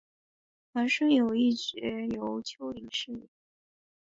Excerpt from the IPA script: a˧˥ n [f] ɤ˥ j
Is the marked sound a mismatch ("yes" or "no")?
yes